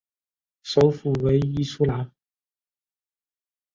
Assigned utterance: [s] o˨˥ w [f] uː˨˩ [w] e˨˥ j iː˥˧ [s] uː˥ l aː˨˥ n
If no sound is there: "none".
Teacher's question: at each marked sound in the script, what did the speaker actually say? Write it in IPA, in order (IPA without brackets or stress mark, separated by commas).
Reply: s, f, w, s